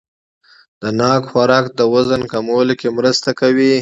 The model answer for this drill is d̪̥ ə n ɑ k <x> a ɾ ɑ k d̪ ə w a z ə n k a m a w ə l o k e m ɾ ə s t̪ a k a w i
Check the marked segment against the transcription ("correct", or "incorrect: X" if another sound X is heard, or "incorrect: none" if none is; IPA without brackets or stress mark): correct